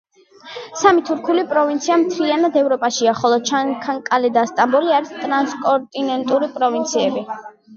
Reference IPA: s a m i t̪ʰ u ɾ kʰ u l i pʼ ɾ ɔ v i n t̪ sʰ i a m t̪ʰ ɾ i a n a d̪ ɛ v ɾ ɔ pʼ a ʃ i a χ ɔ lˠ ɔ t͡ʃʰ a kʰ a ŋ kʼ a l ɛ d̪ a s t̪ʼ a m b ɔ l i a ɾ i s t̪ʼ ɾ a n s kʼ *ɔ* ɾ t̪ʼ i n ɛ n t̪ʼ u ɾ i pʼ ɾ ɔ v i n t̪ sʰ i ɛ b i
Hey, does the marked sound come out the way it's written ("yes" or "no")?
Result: yes